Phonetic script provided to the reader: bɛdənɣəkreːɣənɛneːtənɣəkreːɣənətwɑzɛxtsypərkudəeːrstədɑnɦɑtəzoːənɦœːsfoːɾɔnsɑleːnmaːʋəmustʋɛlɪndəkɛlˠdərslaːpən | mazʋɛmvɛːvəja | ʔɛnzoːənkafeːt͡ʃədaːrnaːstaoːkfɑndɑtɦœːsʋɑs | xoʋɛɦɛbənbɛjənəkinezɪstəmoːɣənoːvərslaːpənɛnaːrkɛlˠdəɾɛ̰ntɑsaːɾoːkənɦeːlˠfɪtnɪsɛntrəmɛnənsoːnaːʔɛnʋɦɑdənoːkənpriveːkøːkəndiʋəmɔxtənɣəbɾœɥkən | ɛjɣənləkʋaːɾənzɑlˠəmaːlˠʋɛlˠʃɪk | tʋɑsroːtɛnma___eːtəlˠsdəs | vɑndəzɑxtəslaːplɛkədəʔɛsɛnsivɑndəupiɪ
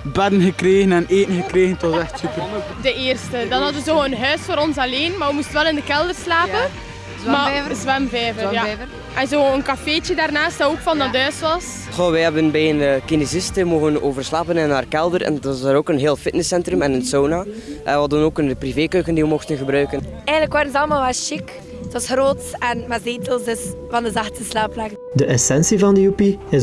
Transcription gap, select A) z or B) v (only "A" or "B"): A